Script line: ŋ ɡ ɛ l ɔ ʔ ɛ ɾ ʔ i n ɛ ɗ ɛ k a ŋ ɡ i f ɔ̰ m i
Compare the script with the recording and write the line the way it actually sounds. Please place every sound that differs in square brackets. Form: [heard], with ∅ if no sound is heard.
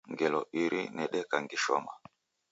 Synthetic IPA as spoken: ŋ ɡ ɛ l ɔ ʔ [i] ɾ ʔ i n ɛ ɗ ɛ k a ŋ ɡ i [ʃ] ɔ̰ m [a]